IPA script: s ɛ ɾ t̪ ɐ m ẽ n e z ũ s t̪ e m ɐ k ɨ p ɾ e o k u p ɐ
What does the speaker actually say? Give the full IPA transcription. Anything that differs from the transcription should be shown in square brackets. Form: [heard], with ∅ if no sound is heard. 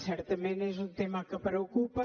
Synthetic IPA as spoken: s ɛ ɾ t̪ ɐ m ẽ n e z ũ [∅] t̪ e m ɐ k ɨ p ɾ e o k u p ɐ